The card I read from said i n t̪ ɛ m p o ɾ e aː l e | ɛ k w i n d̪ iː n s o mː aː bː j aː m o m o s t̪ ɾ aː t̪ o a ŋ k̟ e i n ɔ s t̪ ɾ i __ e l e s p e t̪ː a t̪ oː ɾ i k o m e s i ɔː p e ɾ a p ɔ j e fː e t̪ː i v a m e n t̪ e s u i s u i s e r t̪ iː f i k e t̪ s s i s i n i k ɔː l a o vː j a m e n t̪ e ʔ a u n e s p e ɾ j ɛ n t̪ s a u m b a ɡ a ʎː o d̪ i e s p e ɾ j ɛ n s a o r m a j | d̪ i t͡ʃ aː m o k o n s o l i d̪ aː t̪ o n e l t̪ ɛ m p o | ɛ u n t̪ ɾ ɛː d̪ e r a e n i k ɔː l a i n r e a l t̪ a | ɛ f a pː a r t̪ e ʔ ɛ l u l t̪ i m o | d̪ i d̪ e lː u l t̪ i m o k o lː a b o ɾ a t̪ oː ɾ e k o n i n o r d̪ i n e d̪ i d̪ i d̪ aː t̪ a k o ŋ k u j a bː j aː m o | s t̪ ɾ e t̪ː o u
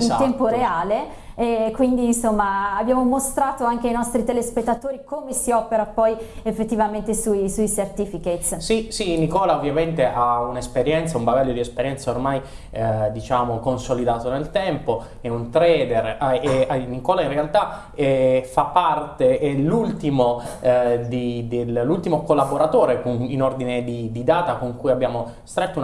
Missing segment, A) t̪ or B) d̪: A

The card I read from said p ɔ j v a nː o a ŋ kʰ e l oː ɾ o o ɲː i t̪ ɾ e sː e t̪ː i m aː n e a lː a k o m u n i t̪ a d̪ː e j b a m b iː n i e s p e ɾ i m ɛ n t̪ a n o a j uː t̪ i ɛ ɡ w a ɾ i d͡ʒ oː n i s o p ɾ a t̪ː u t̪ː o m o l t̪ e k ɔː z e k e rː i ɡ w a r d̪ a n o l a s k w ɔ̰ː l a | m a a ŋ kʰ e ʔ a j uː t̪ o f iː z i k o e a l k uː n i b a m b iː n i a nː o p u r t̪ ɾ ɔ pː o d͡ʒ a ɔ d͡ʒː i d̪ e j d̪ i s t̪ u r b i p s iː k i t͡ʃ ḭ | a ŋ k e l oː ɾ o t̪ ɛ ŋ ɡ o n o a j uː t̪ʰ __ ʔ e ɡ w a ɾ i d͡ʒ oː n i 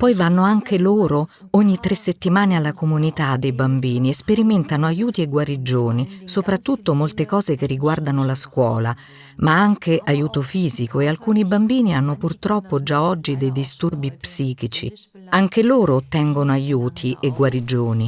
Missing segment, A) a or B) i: B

